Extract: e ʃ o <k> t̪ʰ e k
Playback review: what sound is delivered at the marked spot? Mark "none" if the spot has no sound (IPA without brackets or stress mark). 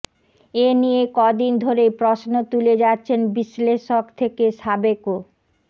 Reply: k